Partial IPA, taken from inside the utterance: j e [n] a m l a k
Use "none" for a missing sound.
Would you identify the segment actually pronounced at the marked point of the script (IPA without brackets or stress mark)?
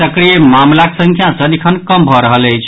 m